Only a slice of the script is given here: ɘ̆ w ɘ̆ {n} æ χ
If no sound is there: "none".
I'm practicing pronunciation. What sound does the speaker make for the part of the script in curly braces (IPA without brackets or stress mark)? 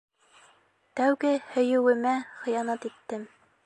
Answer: m